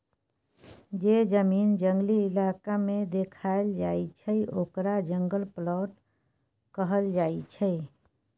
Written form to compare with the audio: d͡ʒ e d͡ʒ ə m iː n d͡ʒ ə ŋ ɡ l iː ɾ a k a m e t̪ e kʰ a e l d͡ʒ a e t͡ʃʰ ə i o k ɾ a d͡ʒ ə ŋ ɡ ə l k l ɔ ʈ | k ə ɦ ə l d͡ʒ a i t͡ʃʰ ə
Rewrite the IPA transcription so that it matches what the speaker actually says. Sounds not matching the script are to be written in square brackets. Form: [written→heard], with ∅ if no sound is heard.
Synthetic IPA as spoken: d͡ʒ e d͡ʒ ə m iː n d͡ʒ ə ŋ ɡ l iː [ɾ→l] a k a m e [t̪→d̪] e kʰ a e l d͡ʒ a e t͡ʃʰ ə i o k ɾ a d͡ʒ ə ŋ ɡ ə l [k→p] l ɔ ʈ | k ə ɦ ə l d͡ʒ a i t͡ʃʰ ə